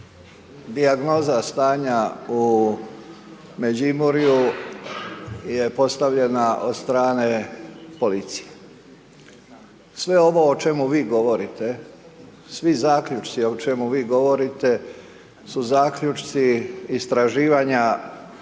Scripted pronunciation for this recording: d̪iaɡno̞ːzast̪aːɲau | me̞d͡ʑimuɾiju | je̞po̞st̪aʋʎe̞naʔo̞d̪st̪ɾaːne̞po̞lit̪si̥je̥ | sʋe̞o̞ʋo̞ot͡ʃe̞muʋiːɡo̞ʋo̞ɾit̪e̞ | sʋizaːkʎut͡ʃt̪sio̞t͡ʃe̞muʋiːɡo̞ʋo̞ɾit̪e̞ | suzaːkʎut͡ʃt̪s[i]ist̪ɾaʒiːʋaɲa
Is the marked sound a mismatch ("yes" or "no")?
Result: no